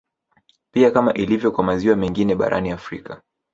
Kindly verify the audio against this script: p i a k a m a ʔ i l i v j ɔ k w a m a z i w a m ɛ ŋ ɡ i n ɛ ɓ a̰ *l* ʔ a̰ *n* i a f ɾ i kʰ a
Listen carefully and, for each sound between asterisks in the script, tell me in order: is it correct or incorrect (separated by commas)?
incorrect, correct